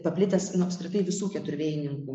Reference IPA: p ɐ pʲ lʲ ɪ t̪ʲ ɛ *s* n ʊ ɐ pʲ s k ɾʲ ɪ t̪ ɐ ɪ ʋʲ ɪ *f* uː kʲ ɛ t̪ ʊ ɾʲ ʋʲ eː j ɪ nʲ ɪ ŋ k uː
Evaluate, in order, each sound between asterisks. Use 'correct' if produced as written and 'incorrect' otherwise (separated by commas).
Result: correct, incorrect